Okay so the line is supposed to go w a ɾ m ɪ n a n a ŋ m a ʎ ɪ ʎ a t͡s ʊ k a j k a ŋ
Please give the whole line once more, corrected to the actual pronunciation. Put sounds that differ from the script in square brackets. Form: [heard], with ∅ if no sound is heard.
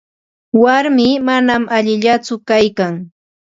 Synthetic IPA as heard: w a ɾ m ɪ [m] a n a [∅] m a ʎ ɪ ʎ a t͡s ʊ k a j k a ŋ